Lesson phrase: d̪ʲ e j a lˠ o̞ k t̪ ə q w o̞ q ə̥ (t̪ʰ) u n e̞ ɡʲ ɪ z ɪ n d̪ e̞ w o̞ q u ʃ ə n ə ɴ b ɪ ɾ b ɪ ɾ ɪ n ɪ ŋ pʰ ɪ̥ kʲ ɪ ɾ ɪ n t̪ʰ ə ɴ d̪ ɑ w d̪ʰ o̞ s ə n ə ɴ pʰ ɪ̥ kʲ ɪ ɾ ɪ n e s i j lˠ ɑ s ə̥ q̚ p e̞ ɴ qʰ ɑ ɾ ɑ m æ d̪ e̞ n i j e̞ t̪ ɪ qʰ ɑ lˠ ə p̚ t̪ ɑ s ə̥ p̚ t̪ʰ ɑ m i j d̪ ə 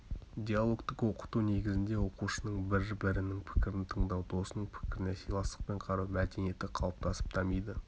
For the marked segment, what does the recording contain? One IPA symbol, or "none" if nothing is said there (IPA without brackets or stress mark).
t̪